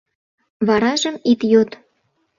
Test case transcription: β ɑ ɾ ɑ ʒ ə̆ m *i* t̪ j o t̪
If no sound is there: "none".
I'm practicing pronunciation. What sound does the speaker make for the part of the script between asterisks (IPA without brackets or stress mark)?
i